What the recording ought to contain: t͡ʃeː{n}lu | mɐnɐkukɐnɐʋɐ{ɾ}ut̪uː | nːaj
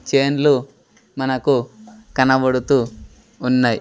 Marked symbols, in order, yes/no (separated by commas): yes, no